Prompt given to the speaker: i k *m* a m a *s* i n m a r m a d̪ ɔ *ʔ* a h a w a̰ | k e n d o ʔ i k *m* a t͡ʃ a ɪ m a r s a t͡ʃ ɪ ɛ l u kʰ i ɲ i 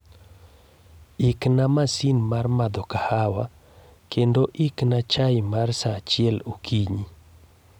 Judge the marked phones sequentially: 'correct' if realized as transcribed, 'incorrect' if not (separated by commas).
incorrect, correct, incorrect, incorrect